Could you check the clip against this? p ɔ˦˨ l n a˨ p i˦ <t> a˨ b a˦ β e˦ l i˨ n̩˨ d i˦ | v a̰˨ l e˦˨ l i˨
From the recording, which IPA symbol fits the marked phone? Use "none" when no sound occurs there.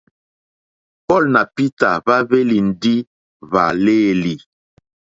t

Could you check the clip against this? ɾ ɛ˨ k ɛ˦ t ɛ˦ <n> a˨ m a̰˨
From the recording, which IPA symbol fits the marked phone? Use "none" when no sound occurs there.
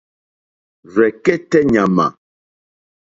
ɲ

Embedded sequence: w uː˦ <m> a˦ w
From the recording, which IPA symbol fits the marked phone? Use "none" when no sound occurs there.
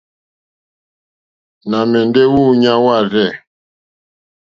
ɲ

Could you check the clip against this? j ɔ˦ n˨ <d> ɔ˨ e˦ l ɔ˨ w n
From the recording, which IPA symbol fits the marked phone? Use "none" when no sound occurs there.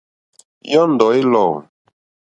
d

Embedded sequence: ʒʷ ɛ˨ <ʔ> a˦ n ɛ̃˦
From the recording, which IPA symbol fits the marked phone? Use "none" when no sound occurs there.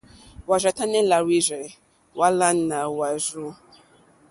t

